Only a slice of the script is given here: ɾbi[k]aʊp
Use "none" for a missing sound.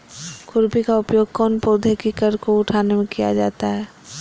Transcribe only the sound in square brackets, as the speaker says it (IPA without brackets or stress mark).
k